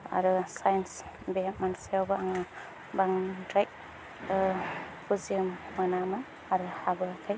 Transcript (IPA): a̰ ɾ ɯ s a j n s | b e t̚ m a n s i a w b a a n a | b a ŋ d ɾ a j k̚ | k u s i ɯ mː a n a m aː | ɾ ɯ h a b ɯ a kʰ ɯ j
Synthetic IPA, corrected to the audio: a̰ ɾ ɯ s a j n s | b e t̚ m a n s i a w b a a ŋ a | b a ŋ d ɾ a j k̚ | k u z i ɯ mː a n a m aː | ɾ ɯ h a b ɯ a kʰ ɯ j